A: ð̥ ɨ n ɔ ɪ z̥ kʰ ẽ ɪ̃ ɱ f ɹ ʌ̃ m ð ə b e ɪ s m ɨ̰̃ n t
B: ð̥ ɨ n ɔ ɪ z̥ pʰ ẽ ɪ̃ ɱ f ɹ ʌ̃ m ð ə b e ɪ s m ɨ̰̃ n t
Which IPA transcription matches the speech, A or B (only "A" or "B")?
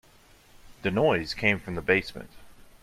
A